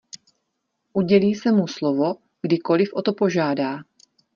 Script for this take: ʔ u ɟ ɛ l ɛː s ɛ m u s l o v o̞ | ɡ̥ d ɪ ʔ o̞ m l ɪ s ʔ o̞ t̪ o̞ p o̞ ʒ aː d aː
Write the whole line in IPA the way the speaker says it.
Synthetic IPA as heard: ʔ u ɟ ɛ l iː s ɛ m u s l o v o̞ | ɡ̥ d ɪ k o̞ l ɪ f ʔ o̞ t̪ o̞ p o̞ ʒ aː d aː